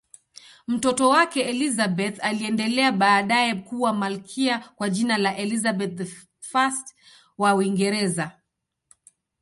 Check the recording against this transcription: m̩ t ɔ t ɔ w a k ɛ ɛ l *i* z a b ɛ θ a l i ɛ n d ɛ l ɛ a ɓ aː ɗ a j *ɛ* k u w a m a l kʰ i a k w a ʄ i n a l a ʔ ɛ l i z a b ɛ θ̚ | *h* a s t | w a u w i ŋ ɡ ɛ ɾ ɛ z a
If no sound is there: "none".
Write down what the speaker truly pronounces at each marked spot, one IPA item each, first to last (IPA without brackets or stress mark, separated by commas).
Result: i, ɛ, f